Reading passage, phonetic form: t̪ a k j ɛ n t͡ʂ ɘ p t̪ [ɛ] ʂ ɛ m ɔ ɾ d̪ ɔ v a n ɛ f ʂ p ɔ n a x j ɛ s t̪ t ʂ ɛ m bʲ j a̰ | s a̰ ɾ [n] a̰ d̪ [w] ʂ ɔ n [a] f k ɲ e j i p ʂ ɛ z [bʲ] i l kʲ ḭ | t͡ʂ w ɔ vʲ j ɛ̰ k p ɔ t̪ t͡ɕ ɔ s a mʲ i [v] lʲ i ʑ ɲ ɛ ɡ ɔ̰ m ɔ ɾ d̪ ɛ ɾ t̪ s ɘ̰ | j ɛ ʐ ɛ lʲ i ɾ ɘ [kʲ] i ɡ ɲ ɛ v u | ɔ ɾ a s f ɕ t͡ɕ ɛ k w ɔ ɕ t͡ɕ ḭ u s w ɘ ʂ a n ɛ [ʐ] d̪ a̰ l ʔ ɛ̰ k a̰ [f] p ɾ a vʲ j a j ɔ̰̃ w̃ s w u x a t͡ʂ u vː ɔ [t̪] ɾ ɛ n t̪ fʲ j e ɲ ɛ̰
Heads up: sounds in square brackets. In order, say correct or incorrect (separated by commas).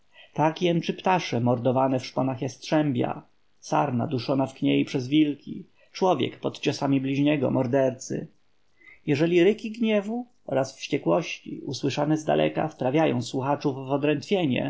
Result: incorrect, correct, incorrect, correct, incorrect, incorrect, correct, incorrect, correct, incorrect